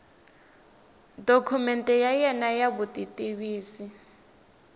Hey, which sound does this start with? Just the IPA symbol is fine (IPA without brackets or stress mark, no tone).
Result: d